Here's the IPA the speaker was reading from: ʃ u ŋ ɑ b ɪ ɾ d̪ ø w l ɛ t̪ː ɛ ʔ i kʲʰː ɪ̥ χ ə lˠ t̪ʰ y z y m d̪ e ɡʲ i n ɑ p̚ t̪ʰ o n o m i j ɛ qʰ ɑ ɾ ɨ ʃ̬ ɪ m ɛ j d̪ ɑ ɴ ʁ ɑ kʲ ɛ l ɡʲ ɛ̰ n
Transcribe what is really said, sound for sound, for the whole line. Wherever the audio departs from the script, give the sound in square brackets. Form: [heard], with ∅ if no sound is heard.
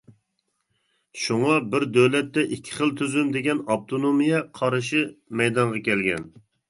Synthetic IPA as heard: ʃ u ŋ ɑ b ɪ ɾ d̪ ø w l ɛ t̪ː ɛ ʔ i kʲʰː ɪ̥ χ ə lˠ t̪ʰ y z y m d̪ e ɡʲ [ɛ] n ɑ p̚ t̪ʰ o n o m i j ɛ qʰ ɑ ɾ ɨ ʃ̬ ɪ m ɛ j d̪ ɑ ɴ ʁ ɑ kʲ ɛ l ɡʲ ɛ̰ n